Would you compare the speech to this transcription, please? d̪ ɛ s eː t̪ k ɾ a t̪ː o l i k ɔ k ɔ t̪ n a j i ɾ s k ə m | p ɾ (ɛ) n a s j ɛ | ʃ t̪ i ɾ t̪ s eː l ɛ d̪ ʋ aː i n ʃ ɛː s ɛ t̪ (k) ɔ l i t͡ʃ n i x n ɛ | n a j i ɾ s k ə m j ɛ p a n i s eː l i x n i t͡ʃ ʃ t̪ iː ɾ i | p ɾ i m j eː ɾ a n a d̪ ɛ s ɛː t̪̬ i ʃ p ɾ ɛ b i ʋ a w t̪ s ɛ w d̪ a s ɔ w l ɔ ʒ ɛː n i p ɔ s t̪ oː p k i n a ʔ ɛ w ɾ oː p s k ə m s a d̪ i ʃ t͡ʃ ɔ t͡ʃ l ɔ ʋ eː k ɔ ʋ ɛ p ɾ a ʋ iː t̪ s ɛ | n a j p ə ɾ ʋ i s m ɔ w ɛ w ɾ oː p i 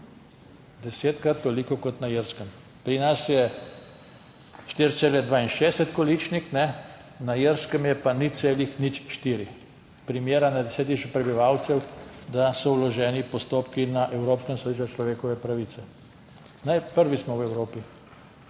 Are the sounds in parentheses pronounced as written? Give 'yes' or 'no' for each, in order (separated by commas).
no, yes